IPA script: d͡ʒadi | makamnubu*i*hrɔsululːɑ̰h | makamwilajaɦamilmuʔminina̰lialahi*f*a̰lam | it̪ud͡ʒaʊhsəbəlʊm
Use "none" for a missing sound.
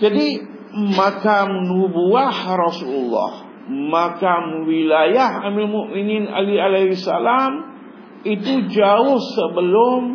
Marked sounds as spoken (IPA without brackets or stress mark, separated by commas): a, s